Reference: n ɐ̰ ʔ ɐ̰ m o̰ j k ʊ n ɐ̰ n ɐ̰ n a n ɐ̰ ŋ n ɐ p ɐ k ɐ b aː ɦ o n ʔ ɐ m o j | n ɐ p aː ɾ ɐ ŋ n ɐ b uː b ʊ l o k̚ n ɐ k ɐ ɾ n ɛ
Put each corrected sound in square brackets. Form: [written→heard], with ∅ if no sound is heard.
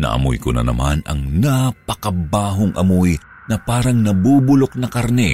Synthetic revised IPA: n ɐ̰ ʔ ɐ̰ m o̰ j k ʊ n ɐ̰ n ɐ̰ [n→m] a n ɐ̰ ŋ n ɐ p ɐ k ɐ b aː ɦ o [n→ŋ] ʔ ɐ m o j | n ɐ p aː ɾ ɐ ŋ n ɐ b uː b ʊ l o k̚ n ɐ k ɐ ɾ n ɛ